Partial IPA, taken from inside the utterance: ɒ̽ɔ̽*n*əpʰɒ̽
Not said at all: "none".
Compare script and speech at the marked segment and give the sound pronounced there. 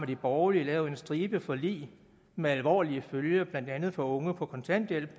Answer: ŋ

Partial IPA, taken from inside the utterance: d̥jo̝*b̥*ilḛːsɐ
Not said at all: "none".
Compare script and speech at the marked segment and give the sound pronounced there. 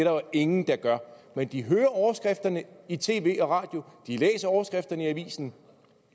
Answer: d̥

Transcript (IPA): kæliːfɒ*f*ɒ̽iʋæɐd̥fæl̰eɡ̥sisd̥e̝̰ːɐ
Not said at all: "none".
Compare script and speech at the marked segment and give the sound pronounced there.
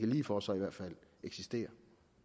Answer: s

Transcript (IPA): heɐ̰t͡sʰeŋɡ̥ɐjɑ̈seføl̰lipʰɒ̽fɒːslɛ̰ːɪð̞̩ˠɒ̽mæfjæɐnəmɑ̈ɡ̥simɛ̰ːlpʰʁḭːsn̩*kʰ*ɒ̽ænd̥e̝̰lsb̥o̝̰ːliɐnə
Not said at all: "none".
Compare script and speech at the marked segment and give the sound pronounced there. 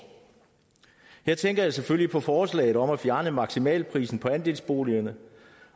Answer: pʰ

